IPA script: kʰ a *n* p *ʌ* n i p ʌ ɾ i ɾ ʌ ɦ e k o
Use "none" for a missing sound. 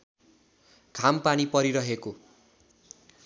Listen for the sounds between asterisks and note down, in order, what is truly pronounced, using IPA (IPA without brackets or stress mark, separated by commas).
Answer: m, a